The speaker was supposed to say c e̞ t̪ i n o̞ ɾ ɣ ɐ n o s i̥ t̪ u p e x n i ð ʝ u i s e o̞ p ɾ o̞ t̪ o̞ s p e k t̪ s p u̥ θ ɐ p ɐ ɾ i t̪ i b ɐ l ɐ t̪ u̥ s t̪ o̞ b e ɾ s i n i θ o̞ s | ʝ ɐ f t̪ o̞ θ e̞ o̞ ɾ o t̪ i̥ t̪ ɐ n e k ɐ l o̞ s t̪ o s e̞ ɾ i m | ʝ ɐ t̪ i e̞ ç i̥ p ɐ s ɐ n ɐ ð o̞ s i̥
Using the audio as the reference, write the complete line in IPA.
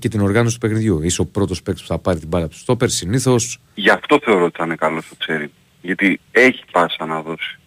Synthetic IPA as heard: c e̞ t̪ i n o̞ ɾ ɣ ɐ n o s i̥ t̪ u p e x n i ð ʝ u i s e o̞ p ɾ o̞ t̪ o̞ s p e k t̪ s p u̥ θ ɐ p ɐ ɾ i t̪ i b ɐ l ɐ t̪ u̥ s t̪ o̞ p e ɾ s i n i θ o̞ s | ʝ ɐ f t̪ o̞ θ e̞ o̞ ɾ o t̪ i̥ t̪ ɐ n e k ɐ l o̞ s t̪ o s e̞ ɾ i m | ʝ ɐ t̪ i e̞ ç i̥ p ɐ s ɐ n ɐ ð o̞ s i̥